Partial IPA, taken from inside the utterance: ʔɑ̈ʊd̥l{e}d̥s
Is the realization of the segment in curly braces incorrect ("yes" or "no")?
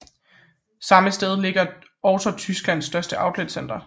no